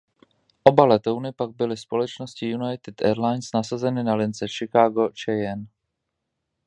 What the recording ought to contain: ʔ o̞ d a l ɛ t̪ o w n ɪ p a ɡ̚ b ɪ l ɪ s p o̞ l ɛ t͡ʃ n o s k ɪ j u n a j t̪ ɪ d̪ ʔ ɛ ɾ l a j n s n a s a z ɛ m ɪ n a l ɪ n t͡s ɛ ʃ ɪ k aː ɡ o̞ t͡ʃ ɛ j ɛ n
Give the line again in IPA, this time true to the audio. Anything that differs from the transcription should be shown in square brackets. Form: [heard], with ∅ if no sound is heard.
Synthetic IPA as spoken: ʔ o̞ [b] a l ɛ t̪ o w n ɪ p a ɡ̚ b ɪ l ɪ s p o̞ l ɛ t͡ʃ n o s [c] ɪ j u n a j t̪ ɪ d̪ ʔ ɛ ɾ l a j n s n a s a z ɛ [n] ɪ n a l ɪ n t͡s ɛ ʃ ɪ k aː ɡ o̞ t͡ʃ ɛ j ɛ n